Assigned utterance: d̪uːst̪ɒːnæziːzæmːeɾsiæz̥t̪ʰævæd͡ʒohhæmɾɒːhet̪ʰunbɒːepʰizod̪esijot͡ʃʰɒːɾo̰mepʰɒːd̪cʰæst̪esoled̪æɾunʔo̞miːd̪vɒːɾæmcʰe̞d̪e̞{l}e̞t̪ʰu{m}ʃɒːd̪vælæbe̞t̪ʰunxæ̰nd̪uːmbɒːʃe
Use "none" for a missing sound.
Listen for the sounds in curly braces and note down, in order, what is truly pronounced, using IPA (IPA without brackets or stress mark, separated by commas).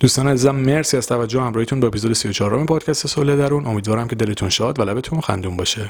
l, n